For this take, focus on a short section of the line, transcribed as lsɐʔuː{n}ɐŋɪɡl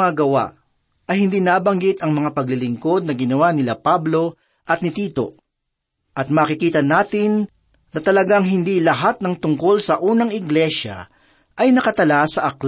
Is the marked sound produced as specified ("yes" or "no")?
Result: yes